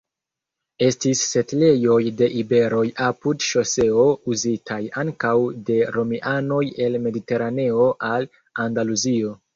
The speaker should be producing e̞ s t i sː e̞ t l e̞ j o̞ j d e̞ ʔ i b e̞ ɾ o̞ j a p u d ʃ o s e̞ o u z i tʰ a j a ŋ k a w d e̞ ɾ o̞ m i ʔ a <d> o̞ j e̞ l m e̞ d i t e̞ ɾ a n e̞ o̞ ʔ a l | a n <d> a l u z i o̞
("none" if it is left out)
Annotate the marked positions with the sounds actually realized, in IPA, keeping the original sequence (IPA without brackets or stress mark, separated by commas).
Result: n, d